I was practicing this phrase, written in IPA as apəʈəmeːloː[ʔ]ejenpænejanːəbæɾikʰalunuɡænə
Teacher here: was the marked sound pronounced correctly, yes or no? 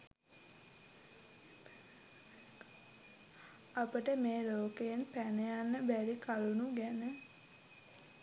no